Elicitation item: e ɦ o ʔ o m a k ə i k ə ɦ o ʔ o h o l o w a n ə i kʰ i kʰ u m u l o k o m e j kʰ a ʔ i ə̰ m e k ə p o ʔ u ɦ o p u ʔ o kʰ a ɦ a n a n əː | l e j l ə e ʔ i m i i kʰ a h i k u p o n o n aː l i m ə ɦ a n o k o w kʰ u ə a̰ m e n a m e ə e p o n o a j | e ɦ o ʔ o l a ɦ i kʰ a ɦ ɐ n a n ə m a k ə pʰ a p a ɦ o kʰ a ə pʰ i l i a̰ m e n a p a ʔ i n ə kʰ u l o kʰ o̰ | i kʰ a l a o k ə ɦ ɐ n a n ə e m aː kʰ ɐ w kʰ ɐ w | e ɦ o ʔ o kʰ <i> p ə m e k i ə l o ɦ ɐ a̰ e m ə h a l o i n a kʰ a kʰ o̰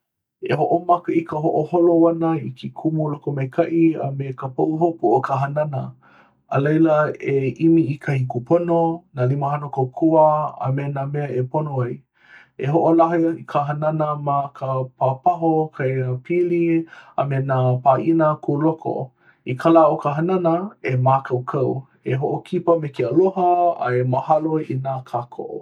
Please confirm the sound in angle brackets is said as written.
yes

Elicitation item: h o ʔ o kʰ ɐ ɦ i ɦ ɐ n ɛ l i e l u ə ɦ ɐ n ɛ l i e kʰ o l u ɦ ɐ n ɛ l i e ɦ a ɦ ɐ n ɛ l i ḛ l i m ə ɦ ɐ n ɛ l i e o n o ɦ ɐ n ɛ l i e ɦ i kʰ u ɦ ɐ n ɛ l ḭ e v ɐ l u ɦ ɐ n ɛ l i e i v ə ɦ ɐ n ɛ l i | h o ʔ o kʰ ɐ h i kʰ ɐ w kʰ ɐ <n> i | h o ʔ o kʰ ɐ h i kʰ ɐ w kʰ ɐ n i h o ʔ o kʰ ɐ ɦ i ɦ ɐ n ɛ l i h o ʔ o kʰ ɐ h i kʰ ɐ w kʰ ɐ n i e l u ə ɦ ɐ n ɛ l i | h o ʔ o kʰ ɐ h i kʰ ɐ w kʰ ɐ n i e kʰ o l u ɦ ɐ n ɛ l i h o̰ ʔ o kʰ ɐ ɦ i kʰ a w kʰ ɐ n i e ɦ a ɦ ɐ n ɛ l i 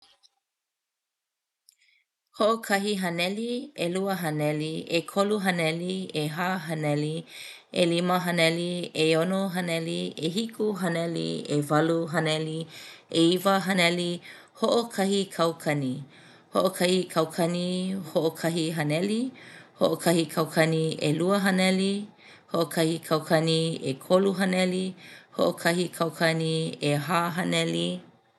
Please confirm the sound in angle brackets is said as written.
yes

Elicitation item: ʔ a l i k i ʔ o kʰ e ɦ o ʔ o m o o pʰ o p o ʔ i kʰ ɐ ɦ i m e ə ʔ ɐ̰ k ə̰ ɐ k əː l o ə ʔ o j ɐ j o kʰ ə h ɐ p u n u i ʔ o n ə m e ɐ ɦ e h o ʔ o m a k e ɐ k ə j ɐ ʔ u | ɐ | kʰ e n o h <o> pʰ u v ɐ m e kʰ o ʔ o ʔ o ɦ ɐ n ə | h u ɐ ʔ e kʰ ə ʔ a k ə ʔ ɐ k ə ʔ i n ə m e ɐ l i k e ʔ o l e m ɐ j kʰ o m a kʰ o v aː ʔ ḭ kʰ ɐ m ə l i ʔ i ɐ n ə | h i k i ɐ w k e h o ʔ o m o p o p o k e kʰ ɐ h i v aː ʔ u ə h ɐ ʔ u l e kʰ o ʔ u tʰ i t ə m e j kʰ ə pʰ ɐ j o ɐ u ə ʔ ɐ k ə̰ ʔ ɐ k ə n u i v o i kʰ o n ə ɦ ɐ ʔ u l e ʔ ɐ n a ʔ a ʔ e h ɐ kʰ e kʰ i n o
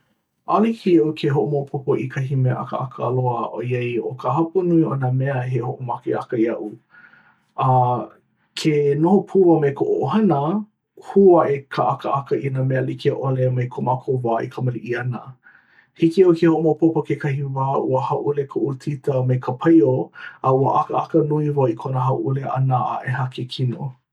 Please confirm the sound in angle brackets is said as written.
yes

